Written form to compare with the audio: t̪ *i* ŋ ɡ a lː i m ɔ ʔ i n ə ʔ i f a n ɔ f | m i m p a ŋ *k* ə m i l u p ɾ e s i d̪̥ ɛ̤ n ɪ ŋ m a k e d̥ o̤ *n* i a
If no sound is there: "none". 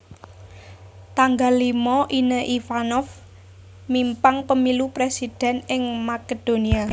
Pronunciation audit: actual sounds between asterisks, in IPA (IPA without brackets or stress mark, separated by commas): a, p, n